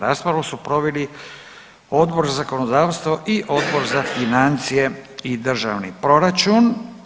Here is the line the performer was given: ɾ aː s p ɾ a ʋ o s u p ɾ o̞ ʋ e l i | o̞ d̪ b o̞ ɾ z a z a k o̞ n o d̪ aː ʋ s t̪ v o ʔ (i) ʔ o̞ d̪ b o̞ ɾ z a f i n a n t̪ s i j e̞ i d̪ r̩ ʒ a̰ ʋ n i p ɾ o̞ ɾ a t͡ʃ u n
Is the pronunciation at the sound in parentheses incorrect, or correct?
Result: correct